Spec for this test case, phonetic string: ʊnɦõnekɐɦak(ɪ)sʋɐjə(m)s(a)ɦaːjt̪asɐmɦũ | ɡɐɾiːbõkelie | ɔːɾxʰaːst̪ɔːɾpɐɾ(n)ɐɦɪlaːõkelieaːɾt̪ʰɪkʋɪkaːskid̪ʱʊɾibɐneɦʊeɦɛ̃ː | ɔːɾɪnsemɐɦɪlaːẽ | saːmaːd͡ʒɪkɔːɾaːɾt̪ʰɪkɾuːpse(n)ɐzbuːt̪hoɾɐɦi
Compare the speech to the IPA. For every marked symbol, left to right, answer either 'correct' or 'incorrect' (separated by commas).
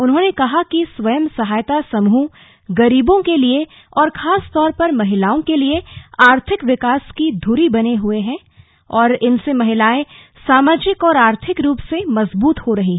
incorrect, correct, incorrect, incorrect, incorrect